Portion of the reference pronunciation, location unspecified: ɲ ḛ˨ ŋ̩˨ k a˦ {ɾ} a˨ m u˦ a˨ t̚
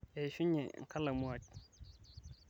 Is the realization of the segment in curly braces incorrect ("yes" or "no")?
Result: yes